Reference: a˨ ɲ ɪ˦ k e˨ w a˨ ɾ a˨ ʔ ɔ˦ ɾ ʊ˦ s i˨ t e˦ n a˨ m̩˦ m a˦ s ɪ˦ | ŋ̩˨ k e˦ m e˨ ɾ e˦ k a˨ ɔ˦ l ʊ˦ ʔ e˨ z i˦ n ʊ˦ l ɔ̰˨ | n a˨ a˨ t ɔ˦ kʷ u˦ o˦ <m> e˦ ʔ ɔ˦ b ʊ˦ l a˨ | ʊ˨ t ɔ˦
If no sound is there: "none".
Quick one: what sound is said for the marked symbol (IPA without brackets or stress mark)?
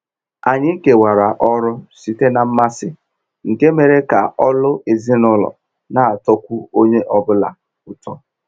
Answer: ɲ